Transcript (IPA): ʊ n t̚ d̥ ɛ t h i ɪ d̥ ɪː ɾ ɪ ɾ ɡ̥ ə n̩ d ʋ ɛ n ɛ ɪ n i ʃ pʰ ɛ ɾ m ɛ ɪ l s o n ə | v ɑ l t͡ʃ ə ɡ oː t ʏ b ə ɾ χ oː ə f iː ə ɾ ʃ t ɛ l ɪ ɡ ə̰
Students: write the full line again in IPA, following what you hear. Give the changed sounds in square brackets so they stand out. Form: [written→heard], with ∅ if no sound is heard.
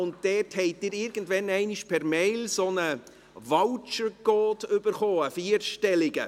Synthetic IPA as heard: ʊ n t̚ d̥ ɛ t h [i→ɛ] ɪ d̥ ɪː ɾ ɪ ɾ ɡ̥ ə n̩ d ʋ ɛ n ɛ ɪ n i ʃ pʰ ɛ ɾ m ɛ ɪ l s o n ə | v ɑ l t͡ʃ ə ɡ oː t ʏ b ə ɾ χ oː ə f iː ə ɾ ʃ t ɛ l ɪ ɡ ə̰